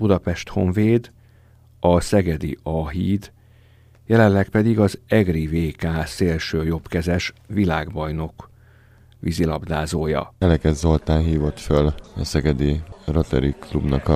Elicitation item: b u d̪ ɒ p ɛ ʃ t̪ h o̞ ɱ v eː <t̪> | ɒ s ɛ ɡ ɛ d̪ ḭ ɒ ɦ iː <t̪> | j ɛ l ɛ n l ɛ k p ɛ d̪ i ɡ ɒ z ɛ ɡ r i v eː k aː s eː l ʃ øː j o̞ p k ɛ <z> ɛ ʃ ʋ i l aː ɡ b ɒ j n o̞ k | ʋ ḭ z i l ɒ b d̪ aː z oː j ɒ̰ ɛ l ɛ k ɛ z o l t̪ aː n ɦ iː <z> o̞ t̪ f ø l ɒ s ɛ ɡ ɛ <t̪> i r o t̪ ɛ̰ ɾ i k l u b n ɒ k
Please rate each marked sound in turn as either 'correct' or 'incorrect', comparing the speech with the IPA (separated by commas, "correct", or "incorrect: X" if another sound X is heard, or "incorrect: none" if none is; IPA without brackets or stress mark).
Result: incorrect: d̪, incorrect: d̪, correct, incorrect: v, incorrect: d̪